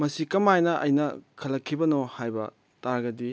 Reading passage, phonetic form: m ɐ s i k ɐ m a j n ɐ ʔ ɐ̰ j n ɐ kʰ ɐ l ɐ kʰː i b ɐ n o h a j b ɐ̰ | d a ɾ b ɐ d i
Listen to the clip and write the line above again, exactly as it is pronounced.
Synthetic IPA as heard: m ɐ s i k ɐ m a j n ɐ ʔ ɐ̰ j n ɐ kʰ ɐ l ɐ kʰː i b ɐ n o h a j b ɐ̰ | t a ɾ ɡ ɐ d i